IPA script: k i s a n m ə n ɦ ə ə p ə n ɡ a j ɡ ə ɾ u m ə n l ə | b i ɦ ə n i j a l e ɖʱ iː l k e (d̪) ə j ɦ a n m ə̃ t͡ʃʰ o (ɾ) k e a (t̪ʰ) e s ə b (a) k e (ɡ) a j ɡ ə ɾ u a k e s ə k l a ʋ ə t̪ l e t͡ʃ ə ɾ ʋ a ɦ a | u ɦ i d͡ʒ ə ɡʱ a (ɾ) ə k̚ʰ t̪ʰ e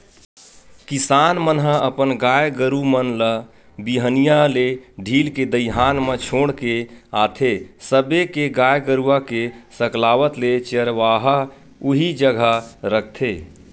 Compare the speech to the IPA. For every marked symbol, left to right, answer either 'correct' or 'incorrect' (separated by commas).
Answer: correct, incorrect, correct, incorrect, correct, correct